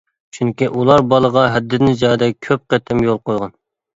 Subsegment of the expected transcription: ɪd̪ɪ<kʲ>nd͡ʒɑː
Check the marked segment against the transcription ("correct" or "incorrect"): incorrect